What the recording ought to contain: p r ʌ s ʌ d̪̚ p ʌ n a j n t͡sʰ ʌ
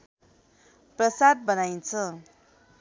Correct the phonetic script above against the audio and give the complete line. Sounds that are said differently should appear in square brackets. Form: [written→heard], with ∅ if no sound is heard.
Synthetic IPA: p r ʌ s [ʌ→a] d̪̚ [p→b] ʌ n a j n t͡sʰ ʌ